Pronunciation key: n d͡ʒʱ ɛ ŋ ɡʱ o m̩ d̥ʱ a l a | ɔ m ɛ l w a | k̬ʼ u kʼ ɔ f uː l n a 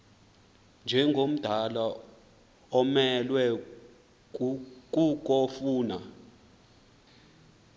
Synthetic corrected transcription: n d͡ʒʱ ɛ ŋ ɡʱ o m̩ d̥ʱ a l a | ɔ m ɛ l w ɛ | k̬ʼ u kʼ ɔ f uː n a